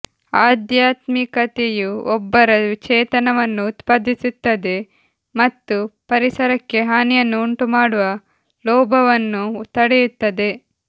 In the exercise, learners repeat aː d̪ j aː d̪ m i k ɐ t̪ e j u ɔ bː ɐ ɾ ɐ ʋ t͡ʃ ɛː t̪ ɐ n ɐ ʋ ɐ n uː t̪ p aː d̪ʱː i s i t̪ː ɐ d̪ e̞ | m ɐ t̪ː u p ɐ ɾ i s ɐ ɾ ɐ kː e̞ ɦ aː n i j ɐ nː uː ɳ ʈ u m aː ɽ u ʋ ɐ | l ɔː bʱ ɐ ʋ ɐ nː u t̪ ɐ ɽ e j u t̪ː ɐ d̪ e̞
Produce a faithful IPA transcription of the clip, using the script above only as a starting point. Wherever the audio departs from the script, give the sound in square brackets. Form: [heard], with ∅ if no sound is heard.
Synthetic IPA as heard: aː d̪ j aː [t̪] m i k ɐ t̪ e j u ɔ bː ɐ ɾ ɐ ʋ t͡ʃ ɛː t̪ ɐ n ɐ ʋ ɐ [nː] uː t̪ p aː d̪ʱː i s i t̪ː ɐ d̪ e̞ | m ɐ t̪ː u p ɐ ɾ i s ɐ ɾ ɐ kː e̞ ɦ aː n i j ɐ nː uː ɳ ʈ u m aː ɽ u ʋ ɐ | l ɔː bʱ ɐ ʋ ɐ nː u t̪ ɐ ɽ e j u t̪ː ɐ d̪ e̞